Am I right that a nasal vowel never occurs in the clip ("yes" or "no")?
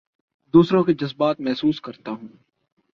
no